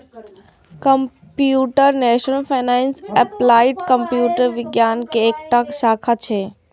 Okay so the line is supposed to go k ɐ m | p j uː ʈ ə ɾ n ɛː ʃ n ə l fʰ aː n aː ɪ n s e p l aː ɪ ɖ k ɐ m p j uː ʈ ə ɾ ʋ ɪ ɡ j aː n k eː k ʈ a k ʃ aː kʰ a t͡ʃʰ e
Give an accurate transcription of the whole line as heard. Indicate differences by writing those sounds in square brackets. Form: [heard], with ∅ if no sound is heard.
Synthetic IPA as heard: k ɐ m | p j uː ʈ ə ɾ n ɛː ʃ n ə l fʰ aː n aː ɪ n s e p l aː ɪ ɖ k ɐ m p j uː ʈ ə ɾ ʋ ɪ ɡ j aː n k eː k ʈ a k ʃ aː kʰ a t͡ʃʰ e